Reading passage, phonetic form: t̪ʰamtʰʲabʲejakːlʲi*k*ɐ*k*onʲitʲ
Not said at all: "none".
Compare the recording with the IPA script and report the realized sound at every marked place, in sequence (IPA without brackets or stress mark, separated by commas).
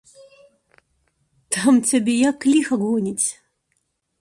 x, ɡ